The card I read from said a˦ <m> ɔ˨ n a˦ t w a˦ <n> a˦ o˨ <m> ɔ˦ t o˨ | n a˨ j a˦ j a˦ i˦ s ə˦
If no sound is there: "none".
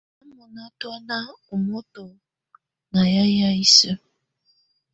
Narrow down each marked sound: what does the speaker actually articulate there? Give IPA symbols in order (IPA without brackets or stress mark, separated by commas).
m, n, m